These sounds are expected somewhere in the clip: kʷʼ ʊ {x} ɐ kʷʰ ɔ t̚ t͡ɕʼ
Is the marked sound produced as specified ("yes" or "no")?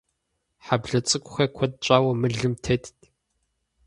yes